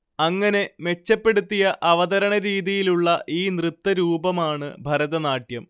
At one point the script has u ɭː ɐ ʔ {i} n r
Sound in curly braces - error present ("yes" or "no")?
yes